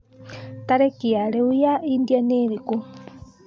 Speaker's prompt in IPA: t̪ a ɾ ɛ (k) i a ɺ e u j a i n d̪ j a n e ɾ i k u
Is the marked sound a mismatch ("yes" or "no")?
no